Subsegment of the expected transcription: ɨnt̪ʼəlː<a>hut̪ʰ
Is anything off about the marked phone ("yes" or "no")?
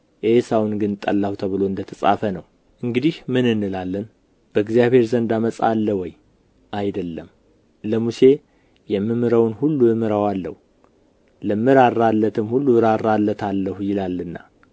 no